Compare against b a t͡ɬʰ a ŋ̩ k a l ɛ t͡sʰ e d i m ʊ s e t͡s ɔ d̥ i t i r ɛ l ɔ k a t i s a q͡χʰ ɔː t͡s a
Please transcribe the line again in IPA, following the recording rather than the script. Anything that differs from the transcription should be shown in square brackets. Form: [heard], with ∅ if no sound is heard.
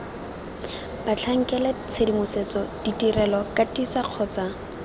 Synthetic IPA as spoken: b a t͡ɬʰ a ŋ̩ k [ɛ] l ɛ t͡sʰ e d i m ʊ s e t͡s ɔ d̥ i t i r ɛ l ɔ k a t i s a q͡χʰ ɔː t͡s a